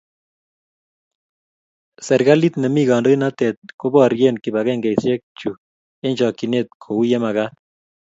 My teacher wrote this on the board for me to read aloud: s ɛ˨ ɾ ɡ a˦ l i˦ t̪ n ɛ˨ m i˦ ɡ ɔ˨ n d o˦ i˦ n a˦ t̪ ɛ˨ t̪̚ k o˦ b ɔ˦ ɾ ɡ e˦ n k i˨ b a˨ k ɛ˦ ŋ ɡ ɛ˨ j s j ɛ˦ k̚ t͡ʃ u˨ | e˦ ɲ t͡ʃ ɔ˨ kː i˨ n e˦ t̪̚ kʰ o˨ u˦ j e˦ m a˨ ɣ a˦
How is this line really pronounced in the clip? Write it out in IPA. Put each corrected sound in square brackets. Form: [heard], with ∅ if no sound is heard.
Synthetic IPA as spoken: s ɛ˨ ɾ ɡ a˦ l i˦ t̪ n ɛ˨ m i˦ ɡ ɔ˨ n d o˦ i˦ n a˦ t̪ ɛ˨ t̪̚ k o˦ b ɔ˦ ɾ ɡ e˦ n k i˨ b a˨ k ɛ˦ ŋ ɡ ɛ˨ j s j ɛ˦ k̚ t͡ʃ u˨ | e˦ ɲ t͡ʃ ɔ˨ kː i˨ n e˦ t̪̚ kʰ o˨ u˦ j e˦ m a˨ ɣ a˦

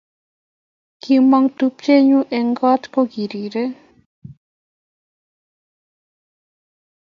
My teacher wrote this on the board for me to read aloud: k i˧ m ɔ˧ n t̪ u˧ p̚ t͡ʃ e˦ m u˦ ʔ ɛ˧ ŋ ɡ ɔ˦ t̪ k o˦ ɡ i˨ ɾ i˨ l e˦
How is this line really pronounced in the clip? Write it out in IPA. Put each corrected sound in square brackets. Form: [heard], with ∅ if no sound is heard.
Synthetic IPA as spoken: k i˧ m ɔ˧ [ŋ] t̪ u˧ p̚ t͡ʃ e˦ [ɲ] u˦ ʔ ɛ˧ ŋ ɡ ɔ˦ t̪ k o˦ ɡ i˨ ɾ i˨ [ɾ] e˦

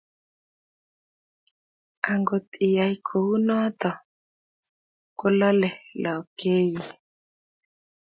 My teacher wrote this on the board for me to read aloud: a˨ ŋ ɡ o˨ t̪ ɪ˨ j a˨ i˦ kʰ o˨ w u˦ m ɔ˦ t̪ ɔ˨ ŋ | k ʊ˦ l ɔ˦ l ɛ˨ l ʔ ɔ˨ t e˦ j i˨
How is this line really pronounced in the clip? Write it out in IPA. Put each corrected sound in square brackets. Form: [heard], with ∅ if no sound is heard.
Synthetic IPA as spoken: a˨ ŋ ɡ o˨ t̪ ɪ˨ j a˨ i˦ kʰ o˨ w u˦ [n] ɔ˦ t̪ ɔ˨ [∅] | k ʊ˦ l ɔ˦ l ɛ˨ l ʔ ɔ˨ [k] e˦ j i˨

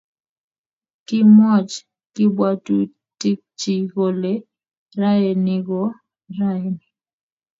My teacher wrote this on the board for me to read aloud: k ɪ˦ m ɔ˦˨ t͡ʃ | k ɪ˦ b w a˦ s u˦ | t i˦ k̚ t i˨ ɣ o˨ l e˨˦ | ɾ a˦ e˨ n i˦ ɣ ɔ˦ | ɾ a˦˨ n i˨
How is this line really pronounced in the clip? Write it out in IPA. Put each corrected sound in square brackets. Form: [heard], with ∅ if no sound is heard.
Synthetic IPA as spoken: k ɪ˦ m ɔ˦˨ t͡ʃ | k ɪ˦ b w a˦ [t] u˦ | t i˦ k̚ [t͡ʃ] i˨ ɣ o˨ l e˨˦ | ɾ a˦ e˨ n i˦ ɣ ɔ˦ | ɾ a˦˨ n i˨

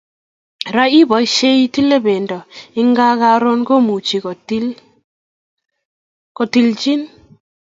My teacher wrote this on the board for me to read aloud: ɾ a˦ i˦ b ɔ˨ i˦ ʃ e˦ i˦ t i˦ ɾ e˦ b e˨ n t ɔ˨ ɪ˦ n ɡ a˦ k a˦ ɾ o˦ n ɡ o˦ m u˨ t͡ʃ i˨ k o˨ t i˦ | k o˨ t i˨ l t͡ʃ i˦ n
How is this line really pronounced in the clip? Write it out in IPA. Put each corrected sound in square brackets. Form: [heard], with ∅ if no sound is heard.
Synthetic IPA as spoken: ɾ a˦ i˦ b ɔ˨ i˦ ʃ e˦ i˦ t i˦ [l] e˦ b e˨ n [d] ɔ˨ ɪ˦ [ŋ] ɡ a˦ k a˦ ɾ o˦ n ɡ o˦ m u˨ t͡ʃ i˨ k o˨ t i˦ | k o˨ t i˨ l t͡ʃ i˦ n

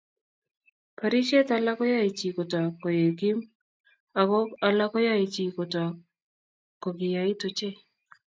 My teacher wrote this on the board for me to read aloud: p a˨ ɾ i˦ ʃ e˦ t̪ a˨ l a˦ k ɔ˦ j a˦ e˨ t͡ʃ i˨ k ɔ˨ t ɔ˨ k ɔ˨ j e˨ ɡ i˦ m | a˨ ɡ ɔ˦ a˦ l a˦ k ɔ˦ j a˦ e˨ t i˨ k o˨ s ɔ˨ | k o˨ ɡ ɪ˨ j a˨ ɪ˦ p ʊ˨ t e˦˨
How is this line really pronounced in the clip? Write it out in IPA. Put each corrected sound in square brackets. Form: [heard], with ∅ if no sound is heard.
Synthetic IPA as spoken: p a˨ ɾ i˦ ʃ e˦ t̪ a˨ l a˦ k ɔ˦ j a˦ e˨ t͡ʃ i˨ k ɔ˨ t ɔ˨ k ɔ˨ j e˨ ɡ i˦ m | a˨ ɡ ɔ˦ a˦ l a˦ k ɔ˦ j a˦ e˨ [t͡ʃ] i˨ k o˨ [t] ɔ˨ | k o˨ ɡ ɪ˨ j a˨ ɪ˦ [t] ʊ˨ [t͡ʃ] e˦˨

